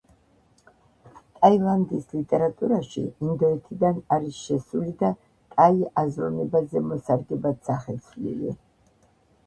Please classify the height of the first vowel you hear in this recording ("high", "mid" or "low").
low